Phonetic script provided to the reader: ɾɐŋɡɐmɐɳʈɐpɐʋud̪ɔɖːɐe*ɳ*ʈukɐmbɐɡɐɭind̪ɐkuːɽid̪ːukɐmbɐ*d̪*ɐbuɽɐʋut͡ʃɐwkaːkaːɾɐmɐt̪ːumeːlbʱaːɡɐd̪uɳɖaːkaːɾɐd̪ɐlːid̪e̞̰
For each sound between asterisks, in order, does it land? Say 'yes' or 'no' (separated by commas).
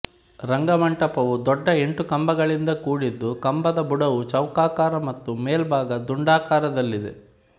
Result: yes, yes